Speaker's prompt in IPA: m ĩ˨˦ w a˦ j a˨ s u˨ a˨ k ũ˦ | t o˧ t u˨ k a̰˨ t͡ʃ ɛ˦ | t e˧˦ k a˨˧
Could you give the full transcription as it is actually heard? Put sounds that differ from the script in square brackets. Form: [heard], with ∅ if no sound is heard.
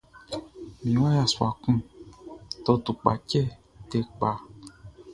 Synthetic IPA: m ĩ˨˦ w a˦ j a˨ s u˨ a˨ k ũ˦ | t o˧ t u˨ [k͡p] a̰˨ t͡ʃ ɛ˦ | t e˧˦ [k͡p] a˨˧